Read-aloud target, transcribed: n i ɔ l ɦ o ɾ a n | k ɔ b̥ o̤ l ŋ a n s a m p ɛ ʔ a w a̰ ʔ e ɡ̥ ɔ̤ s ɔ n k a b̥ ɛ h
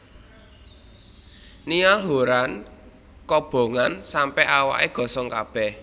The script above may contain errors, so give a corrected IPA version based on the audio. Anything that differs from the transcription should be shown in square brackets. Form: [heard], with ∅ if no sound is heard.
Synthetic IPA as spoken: n i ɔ l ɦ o ɾ a n | k ɔ b̥ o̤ [∅] ŋ a n s a m p ɛ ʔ a w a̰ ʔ e ɡ̥ ɔ̤ s ɔ [ŋ] k a b̥ ɛ h